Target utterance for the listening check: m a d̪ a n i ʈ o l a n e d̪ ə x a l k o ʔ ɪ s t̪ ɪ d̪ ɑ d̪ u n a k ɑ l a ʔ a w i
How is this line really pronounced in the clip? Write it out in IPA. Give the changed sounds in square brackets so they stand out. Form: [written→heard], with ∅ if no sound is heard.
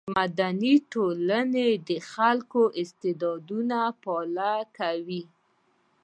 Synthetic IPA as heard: m a d̪ a n i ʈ o l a n e d̪ ə x a l k o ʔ ɪ s t̪ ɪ d̪ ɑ d̪ u n a [k→p] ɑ l a [ʔ→k] a w i